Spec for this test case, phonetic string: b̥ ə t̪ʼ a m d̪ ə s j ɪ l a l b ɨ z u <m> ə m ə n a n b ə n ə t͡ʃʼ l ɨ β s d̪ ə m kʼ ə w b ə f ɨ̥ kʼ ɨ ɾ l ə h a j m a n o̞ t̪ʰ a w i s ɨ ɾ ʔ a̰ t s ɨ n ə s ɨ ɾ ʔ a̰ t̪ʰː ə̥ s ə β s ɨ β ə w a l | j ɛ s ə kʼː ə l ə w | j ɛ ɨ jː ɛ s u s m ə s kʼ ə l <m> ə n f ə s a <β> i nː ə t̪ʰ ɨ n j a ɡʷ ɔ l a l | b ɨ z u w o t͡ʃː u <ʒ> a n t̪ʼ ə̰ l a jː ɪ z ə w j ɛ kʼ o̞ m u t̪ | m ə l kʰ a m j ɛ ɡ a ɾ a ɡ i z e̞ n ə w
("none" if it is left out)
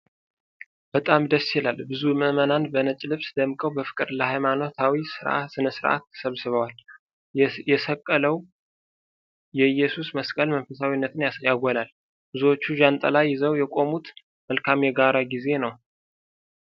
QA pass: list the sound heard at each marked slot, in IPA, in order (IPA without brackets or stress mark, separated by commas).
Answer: m, m, w, ʒ